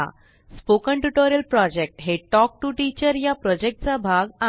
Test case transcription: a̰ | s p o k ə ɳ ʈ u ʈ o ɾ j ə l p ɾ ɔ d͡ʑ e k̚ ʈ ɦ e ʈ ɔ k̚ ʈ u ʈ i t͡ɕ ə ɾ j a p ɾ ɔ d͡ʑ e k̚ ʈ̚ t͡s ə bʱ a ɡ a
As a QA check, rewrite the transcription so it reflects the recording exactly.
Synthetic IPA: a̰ | s p o k ə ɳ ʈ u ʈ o ɾ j ə l p ɾ ɔ d͡ʑ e k̚ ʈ ɦ e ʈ ɔ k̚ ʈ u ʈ i t͡ɕ ə ɾ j a p ɾ ɔ d͡ʑ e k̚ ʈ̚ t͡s a bʱ a ɡ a